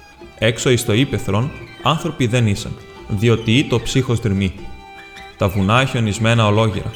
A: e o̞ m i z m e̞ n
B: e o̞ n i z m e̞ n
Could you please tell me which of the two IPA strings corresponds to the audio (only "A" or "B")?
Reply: B